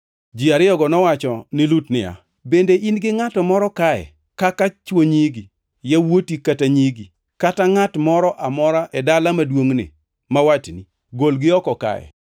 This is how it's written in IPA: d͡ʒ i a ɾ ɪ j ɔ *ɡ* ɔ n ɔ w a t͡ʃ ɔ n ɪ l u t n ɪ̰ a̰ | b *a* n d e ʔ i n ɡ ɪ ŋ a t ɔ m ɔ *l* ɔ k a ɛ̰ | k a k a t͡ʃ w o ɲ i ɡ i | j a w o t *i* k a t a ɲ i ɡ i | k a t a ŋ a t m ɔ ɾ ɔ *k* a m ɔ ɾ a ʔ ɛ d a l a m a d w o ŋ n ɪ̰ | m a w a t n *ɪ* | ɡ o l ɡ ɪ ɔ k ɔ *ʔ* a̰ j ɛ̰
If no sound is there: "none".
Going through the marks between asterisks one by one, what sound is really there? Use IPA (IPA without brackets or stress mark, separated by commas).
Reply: ɡ, e, ɾ, i, ʔ, i, k